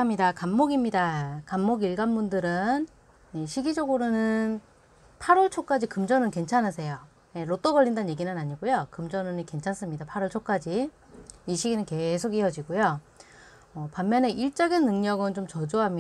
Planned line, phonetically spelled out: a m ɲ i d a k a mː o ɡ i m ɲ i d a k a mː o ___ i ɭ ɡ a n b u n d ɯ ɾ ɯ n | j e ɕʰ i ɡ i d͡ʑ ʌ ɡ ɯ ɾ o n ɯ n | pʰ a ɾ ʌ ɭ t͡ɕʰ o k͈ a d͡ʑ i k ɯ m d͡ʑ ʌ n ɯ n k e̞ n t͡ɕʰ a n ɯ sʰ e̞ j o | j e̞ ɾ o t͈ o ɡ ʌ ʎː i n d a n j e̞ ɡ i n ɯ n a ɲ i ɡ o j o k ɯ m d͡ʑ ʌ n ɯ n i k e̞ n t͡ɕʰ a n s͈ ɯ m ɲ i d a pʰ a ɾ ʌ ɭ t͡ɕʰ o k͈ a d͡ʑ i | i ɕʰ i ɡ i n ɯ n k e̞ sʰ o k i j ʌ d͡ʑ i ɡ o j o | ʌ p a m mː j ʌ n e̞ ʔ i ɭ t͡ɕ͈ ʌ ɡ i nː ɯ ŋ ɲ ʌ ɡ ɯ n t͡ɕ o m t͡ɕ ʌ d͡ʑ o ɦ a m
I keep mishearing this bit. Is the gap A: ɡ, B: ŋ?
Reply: A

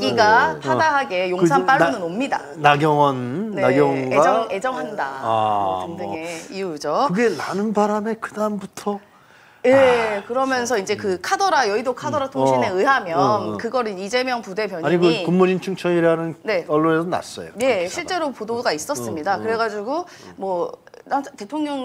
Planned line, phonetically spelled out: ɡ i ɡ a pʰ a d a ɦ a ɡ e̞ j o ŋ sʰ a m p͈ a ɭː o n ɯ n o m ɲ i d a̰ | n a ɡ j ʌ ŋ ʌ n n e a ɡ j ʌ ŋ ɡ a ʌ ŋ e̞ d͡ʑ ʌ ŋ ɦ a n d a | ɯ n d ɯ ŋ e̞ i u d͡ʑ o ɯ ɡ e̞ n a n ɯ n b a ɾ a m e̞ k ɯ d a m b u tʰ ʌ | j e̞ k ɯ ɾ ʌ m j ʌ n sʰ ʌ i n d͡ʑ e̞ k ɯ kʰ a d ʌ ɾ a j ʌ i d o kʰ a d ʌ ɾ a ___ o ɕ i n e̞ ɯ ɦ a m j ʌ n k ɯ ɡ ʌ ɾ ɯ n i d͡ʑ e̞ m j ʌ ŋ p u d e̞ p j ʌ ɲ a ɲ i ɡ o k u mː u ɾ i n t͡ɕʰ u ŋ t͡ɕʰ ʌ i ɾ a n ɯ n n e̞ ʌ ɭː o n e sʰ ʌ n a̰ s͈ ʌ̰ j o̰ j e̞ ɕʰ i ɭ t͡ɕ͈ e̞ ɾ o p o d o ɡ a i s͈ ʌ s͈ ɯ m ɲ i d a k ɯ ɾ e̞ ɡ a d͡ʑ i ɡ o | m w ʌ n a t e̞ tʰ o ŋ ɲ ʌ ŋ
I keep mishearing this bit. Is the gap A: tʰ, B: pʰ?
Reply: A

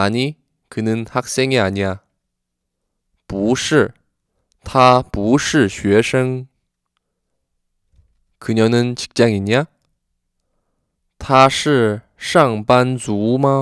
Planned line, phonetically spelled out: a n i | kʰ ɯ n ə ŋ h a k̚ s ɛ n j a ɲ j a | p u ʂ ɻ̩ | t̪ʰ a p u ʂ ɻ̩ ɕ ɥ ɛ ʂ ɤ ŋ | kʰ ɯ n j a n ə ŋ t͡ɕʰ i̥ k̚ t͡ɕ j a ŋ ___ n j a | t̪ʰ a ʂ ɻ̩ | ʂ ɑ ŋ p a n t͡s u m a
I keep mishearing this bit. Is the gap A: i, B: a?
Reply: A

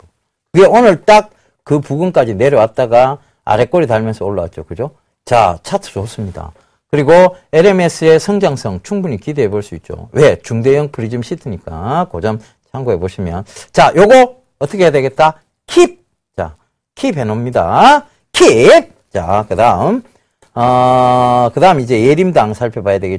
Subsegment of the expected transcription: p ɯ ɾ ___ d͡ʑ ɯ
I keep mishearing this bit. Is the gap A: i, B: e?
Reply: A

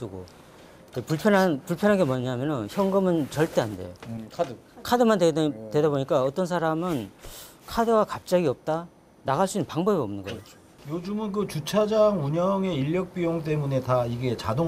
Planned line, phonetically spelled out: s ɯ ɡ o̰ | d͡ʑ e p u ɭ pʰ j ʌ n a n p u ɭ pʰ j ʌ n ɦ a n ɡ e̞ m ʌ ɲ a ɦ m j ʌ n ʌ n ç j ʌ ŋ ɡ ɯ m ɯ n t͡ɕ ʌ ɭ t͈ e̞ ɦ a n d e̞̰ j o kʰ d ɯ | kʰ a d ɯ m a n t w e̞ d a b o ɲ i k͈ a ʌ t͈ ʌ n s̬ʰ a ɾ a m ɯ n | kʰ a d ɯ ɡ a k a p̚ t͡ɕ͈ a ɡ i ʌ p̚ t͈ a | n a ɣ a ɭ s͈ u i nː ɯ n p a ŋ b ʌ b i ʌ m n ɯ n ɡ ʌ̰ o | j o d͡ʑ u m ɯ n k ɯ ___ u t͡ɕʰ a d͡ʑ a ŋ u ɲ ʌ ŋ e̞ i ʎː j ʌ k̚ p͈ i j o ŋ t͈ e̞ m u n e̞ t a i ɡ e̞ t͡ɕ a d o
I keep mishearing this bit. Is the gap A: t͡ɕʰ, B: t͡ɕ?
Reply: B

